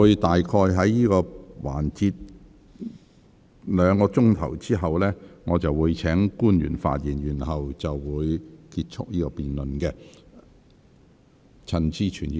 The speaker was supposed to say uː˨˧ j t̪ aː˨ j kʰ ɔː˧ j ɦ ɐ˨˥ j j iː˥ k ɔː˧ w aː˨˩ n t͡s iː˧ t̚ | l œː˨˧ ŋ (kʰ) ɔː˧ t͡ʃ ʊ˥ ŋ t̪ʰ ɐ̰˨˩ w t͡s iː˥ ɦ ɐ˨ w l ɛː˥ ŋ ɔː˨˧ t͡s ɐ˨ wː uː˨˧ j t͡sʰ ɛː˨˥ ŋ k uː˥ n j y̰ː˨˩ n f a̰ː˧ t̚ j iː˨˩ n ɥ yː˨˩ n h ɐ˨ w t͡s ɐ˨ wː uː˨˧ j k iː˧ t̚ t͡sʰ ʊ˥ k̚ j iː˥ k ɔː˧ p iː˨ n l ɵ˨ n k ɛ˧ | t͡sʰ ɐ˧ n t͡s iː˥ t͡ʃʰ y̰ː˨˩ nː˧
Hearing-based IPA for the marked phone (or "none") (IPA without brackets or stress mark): k